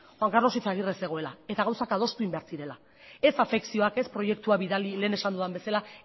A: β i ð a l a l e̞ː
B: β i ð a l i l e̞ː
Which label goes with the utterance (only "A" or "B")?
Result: B